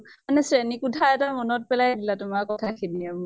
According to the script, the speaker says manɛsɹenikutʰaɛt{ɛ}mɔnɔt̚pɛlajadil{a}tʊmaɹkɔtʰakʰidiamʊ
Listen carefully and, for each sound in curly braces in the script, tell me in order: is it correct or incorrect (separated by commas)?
incorrect, correct